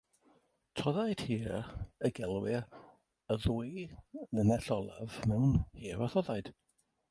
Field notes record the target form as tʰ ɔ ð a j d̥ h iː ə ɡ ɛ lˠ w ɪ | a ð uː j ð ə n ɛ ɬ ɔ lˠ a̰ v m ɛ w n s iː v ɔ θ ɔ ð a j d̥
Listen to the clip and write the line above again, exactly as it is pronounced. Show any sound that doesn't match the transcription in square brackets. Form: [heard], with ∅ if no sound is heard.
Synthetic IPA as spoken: tʰ ɔ ð a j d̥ h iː ə ɡ ɛ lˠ w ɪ | [ə] ð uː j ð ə n ɛ ɬ ɔ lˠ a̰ v m ɛ w n [h] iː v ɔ θ ɔ ð a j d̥